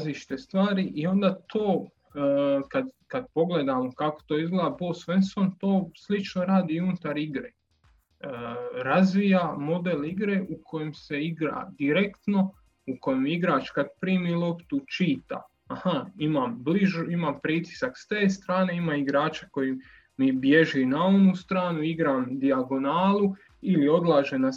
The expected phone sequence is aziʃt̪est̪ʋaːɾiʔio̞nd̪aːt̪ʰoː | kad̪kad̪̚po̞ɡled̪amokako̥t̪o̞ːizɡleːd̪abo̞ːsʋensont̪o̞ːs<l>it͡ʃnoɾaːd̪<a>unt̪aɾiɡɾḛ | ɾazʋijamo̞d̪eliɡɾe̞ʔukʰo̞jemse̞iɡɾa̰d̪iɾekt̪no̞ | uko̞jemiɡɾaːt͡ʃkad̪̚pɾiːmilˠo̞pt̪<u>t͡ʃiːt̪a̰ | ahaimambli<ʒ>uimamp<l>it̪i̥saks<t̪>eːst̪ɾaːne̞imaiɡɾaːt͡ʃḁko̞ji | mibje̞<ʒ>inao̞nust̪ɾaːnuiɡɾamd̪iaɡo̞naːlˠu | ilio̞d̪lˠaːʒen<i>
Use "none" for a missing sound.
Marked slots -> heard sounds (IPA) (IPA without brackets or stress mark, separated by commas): l, i, u, ʒ, ɾ, t̪, ʒ, a